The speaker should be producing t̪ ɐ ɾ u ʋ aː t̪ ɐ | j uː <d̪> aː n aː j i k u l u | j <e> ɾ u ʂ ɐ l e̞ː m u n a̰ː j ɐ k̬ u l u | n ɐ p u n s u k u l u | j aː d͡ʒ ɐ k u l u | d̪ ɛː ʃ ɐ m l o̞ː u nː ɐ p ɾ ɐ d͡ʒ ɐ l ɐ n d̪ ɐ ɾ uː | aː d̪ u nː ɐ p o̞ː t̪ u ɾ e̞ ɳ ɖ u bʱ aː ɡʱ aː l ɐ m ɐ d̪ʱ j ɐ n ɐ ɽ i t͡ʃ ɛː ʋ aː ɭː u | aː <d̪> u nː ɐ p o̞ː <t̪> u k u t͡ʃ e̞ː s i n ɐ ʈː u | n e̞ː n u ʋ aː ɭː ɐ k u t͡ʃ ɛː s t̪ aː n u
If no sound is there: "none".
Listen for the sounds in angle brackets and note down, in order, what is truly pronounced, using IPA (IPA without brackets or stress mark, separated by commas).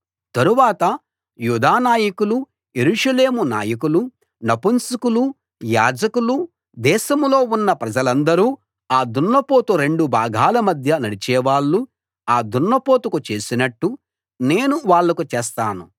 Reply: d̪, e, d̪, t̪